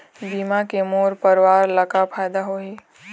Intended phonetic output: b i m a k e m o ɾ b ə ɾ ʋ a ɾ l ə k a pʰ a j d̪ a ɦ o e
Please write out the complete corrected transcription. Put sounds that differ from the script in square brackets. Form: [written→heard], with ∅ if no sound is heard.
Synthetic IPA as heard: b i m a k e m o ɾ [b→p] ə ɾ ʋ a ɾ l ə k a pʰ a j d̪ a ɦ o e